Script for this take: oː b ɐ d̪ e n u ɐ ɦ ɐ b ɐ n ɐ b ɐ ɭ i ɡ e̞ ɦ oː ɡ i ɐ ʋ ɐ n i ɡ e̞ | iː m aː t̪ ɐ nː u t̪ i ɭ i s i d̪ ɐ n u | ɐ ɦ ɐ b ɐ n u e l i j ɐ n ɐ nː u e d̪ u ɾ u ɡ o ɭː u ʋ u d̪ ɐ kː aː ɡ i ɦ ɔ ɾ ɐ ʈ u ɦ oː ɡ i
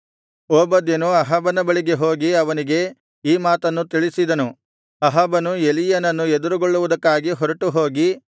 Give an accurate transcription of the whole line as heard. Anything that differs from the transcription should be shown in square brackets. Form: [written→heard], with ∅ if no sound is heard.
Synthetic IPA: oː b ɐ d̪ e n u ɐ ɦ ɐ b ɐ n ɐ b ɐ ɭ i ɡ e̞ ɦ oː ɡ i ɐ ʋ ɐ n i ɡ e̞ | iː m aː t̪ ɐ nː u t̪ i ɭ i s i d̪ ɐ n u | ɐ ɦ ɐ b ɐ n u e l i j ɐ n ɐ nː u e d̪ u ɾ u ɡ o ɭː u ʋ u d̪ ɐ kː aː ɡ i ɦ ɔ ɾ ɐ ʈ u ɦ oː ɡ i